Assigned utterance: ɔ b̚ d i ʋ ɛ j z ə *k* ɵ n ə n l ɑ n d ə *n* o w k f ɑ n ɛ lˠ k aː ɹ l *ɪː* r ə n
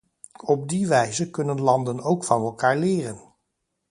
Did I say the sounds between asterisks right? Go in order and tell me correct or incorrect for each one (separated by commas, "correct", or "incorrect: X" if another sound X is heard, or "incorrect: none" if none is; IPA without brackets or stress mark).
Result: correct, correct, correct